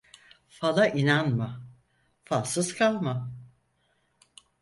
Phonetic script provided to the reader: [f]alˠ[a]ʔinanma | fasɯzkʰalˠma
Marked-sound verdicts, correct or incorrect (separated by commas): correct, correct